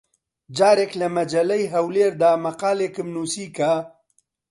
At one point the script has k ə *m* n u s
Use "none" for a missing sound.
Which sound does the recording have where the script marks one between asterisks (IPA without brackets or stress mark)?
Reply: m